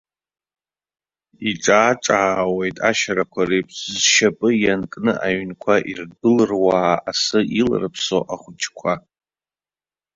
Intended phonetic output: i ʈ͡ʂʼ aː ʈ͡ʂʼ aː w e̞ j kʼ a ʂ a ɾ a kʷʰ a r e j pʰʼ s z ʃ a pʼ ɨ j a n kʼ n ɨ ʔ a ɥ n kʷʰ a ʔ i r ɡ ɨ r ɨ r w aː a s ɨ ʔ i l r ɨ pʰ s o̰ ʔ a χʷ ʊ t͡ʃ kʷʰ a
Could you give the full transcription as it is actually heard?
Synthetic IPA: i ʈ͡ʂʼ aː ʈ͡ʂʼ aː w e̞ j tʼ a ʃ a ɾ a kʷʰ a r e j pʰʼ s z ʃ a pʼ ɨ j a n kʼ n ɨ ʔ a ɥ n kʷʰ a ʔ i r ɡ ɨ l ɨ r w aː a s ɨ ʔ i l r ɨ pʰ s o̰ ʔ a χʷ ʊ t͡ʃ kʷʰ a